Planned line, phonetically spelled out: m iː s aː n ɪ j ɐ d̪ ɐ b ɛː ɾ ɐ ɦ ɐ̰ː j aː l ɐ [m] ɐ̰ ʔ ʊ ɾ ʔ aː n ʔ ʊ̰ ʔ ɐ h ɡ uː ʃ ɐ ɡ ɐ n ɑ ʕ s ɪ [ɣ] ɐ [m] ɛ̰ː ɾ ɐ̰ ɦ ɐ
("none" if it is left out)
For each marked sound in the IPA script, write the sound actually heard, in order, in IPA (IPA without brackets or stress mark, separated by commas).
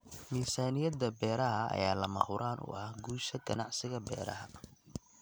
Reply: m, ɣ, b